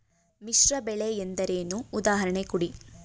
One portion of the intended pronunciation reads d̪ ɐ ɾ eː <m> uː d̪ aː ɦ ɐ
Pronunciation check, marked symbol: incorrect: n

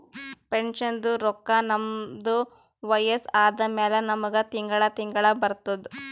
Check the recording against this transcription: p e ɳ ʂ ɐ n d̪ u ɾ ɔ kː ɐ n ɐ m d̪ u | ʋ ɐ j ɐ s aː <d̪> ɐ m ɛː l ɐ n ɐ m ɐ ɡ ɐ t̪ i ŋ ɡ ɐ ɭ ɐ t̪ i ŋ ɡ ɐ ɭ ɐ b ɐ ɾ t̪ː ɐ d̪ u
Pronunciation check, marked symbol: correct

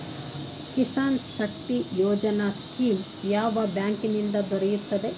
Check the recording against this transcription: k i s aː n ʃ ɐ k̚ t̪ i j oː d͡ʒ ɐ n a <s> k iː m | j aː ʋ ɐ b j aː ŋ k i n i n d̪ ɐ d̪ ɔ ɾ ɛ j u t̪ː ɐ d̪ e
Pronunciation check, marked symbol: correct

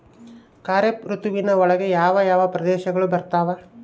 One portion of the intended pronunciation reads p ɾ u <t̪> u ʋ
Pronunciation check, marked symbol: correct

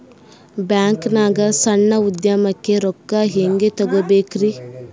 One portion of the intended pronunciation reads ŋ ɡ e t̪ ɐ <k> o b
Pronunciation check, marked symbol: incorrect: ɡ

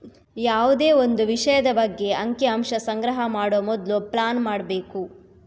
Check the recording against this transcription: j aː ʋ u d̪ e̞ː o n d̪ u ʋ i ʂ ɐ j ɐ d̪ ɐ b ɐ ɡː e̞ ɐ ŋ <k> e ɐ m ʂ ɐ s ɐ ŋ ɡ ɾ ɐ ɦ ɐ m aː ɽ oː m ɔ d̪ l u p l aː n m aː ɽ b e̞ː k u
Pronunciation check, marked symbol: correct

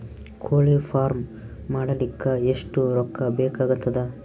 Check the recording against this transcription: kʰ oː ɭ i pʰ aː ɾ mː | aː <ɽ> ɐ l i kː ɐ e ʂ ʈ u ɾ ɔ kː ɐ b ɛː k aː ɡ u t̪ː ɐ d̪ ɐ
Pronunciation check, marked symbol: correct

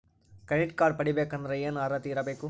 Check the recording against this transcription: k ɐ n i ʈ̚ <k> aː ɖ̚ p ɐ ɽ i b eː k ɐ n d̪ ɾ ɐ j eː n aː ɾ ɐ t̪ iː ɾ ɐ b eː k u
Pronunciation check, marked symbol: correct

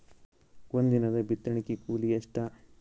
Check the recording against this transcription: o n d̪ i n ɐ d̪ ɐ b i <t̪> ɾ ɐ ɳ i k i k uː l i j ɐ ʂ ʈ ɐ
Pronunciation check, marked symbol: correct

